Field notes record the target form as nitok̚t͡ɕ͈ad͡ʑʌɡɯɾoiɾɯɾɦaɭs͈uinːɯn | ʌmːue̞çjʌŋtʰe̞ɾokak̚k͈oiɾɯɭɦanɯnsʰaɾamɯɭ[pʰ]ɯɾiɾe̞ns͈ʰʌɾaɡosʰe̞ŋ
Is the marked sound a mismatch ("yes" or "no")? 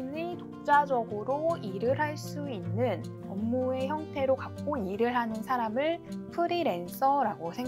no